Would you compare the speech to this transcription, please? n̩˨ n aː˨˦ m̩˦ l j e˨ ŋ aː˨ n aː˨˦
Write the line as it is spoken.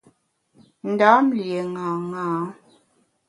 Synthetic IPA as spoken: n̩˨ d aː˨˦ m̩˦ l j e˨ ŋ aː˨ ŋ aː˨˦